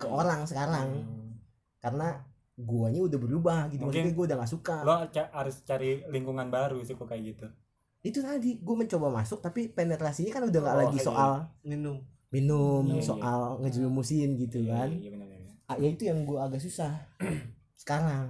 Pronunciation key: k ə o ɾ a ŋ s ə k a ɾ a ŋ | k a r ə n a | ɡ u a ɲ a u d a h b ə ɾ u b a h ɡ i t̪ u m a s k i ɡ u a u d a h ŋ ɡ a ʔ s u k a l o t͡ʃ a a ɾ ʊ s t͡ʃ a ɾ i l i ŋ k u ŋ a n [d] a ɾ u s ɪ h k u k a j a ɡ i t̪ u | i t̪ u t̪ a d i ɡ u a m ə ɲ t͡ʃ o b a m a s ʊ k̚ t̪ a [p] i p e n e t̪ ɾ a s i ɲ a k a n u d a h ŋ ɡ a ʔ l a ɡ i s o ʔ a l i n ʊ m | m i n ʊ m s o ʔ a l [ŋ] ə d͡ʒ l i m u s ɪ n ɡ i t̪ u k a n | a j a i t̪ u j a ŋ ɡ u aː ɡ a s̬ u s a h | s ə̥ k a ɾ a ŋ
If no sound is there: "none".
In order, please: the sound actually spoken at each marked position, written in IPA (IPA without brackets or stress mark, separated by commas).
b, p, ŋ